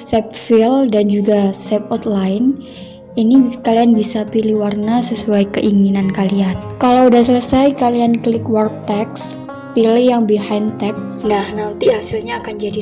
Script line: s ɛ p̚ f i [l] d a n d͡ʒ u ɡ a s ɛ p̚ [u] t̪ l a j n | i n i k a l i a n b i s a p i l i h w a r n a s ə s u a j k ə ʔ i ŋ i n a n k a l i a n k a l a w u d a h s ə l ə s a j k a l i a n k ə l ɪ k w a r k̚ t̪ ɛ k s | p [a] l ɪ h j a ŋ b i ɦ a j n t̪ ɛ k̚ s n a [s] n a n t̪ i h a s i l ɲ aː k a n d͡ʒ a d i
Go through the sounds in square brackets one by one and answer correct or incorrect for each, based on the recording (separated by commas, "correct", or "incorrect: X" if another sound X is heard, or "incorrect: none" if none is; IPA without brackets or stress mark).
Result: correct, incorrect: ɔ, incorrect: i, incorrect: h